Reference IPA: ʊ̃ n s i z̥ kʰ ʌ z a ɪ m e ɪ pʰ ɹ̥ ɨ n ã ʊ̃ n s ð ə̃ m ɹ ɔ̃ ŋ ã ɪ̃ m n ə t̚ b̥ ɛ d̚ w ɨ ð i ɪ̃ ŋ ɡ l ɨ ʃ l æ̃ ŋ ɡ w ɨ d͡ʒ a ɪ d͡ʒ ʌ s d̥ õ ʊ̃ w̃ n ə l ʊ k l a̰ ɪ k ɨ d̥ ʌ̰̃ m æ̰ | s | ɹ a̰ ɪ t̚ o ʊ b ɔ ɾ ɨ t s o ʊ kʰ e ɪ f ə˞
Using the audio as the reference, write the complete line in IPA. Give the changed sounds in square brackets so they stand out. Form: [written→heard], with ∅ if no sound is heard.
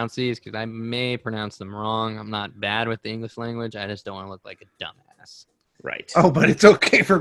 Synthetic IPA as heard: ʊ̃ n s i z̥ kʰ ʌ z a ɪ m e ɪ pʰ ɹ̥ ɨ n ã ʊ̃ n s ð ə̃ m ɹ ɔ̃ ŋ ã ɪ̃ m n ə t̚ b̥ [ɛ→æ] d̚ w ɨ ð i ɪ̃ ŋ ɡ l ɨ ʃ l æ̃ ŋ ɡ w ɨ d͡ʒ a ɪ d͡ʒ ʌ s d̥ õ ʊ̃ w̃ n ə l ʊ k l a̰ ɪ k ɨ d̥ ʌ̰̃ m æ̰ | s | ɹ a̰ ɪ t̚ o ʊ b [ɔ→ʌ] ɾ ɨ t s o ʊ kʰ e ɪ f ə˞